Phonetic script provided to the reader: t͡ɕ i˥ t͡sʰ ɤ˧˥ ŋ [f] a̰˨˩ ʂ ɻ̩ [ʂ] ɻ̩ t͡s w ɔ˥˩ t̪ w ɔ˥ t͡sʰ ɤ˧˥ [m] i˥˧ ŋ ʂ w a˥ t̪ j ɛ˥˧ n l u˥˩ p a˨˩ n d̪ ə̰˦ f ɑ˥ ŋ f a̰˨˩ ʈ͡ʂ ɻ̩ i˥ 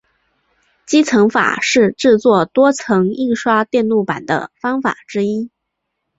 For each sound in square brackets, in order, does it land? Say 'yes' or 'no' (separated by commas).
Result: yes, no, no